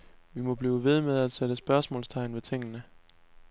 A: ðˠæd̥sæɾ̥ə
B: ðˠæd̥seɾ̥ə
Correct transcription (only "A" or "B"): B